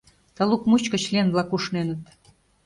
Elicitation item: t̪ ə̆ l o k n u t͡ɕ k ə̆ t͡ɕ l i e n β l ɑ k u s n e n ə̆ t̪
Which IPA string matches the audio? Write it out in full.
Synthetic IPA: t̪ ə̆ l u k m u t͡ɕ k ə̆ t͡ɕ l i e n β l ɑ k u ʃ n e n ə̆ t̪

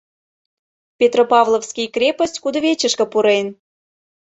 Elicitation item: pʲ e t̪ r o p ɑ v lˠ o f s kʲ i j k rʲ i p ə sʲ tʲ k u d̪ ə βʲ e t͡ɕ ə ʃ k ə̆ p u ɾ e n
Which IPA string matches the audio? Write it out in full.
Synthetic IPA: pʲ e t̪ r o p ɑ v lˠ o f s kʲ i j k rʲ e p ə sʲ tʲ k u d̪ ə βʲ e t͡ɕ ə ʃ k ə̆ p u ɾ e n

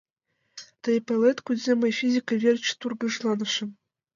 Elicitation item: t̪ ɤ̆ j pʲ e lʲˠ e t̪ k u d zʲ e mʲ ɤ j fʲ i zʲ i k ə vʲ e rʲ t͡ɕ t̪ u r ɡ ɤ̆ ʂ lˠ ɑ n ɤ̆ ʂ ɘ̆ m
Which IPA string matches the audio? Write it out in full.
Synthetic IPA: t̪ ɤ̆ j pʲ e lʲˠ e t̪ k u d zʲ e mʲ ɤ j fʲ i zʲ i k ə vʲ e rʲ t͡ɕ t̪ u r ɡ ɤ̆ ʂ lˠ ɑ n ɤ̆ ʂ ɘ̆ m

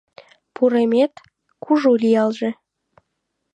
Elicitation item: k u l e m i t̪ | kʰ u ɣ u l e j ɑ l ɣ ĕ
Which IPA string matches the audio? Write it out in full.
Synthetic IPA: p u ɾ e m e t̪ | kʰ u ʒ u l i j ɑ l ʒ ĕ

